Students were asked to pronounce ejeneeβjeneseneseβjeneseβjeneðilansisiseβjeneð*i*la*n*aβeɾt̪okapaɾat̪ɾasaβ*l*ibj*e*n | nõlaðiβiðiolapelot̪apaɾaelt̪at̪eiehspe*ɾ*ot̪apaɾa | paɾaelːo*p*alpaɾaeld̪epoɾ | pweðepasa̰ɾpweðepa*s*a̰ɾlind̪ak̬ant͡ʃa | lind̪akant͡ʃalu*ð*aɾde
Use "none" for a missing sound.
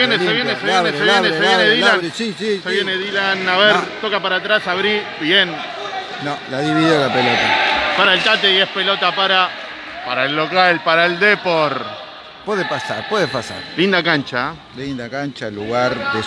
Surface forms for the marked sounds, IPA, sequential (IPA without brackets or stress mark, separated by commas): i, n, ɾ, e, l, k, s, ɣ